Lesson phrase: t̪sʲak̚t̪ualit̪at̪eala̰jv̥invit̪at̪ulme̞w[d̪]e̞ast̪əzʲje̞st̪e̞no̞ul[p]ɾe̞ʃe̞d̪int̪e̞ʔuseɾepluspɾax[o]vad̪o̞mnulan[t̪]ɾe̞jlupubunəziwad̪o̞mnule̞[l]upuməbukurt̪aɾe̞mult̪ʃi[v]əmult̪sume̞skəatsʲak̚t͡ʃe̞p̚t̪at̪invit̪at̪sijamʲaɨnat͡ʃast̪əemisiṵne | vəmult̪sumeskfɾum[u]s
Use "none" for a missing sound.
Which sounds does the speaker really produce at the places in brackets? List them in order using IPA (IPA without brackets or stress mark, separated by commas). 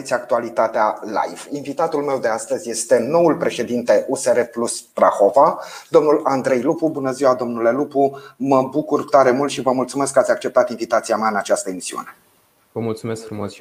d̪, p, o, d̪, l, v, o